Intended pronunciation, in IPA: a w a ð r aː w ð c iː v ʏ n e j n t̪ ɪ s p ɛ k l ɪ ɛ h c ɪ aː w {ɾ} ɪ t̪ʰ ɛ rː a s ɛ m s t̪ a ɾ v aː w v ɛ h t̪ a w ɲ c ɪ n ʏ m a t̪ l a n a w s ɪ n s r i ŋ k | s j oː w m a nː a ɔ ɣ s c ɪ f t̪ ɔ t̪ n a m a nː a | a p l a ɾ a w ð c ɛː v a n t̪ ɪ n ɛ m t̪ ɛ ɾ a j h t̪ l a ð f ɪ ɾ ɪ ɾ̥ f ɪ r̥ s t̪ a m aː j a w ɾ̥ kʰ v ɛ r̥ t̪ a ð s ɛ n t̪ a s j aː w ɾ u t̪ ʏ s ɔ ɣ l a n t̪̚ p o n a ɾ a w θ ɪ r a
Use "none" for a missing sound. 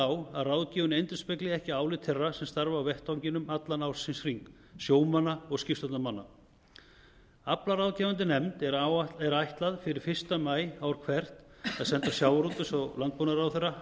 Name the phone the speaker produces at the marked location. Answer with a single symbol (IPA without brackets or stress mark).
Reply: l